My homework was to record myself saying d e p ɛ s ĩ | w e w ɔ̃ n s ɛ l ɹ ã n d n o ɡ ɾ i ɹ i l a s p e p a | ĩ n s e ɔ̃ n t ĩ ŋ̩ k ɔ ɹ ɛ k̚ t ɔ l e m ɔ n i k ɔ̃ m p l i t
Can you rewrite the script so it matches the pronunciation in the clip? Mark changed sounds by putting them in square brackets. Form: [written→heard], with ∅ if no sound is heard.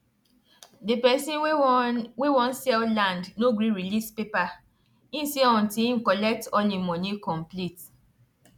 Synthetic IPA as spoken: d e p ɛ s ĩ | w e w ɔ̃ n s ɛ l [ɹ→l] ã n d n o ɡ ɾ i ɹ i l [a→i] s p e p a | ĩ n s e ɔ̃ n t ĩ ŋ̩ k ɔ [ɹ→l] ɛ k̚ t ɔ l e m ɔ n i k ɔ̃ m p l i t